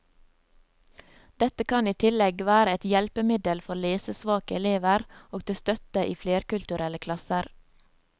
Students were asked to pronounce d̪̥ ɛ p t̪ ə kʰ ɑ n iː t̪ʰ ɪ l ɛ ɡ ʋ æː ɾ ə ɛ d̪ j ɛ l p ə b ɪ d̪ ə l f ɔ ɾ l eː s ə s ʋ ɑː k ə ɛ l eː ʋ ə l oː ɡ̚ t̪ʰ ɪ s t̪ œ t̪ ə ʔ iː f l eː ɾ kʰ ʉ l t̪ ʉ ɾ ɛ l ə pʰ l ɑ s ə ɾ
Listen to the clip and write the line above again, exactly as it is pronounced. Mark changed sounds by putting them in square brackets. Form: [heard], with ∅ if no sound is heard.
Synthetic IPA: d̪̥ ɛ [∅] t̪ ə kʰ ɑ n iː t̪ʰ ɪ l ɛ ɡ ʋ æː ɾ ə ɛ [t̪] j ɛ l p ə [m] ɪ d̪ ə l f ɔ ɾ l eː s ə s ʋ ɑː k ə ɛ l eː ʋ ə [ɾ] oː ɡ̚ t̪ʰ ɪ s t̪ œ t̪ ə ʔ iː f l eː ɾ [k] ʉ l t̪ ʉ ɾ ɛ l ə [kʰ] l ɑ s ə ɾ